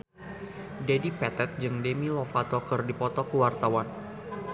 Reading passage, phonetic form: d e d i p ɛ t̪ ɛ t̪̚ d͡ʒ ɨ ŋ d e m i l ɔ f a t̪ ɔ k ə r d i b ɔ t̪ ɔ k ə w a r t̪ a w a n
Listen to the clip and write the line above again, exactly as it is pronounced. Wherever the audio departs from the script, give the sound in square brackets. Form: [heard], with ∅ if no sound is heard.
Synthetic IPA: d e d i p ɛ t̪ ɛ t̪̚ d͡ʒ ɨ ŋ d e m i l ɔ f a t̪ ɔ k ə r d i [p] ɔ t̪ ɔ k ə w a r t̪ a w a n